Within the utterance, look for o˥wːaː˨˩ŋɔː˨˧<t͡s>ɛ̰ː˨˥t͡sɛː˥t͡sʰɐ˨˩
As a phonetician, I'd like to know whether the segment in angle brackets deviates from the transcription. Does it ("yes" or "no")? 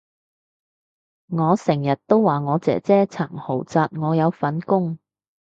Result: no